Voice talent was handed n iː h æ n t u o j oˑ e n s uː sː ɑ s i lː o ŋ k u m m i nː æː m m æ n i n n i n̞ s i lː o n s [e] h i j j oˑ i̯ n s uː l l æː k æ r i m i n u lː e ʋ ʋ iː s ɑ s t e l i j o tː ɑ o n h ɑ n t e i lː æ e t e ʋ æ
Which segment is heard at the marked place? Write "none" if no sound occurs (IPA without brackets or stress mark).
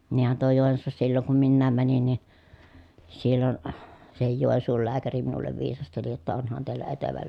e